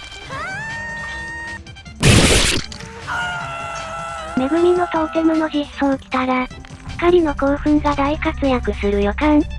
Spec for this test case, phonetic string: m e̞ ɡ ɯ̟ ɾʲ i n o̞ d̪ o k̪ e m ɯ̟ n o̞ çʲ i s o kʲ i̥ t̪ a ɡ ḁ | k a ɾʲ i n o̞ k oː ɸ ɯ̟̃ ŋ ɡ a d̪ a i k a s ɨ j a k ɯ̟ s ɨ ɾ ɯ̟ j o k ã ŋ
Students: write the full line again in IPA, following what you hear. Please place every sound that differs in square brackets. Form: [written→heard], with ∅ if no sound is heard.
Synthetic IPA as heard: m e̞ ɡ ɯ̟ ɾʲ i n o̞ [d̪→t̪] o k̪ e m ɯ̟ n o̞ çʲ i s o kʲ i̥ t̪ a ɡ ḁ | k a ɾʲ i n o̞ k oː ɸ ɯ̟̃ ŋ ɡ a d̪ a i k a [s→t͡s] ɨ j a k ɯ̟ s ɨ ɾ ɯ̟ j o k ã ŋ